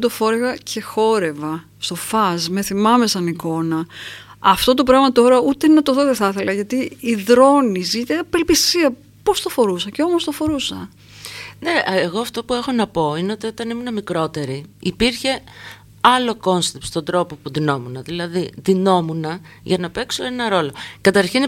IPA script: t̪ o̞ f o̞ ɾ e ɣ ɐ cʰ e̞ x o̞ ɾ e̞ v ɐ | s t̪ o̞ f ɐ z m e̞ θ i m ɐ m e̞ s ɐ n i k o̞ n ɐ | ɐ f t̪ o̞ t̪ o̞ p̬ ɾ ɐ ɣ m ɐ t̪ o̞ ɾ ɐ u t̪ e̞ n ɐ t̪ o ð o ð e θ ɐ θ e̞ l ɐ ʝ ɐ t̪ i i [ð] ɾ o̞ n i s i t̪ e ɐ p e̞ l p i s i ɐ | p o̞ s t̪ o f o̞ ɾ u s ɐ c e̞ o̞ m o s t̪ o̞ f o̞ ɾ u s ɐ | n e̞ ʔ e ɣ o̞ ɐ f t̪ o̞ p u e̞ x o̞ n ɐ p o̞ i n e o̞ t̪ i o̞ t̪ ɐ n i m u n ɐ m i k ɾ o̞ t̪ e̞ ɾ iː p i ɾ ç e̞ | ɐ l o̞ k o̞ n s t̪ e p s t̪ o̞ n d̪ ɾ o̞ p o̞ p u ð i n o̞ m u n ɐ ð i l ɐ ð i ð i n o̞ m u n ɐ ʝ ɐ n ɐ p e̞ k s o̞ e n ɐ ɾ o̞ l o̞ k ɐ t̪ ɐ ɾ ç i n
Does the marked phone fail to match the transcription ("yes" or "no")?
no